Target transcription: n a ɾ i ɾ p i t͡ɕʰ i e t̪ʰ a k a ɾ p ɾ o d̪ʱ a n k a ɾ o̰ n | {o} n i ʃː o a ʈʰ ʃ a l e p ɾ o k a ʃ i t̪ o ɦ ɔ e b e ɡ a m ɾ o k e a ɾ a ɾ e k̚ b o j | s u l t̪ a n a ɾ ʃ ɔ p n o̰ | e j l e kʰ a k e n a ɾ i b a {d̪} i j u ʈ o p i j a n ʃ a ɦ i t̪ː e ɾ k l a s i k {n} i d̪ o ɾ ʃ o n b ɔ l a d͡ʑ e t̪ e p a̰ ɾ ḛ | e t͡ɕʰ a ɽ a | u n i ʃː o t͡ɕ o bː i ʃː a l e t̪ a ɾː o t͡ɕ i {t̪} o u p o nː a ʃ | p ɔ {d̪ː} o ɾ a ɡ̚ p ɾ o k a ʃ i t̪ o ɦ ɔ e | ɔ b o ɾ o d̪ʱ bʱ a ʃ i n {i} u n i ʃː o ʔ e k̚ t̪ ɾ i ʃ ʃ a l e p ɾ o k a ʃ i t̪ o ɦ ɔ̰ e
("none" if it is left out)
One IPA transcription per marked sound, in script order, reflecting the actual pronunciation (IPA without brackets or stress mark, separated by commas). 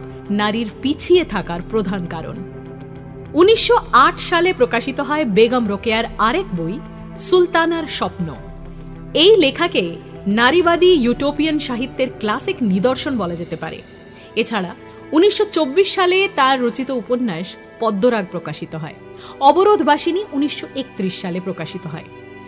u, d̪, n, t̪, d̪ː, i